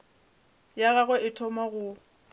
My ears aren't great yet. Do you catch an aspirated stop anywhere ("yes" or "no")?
yes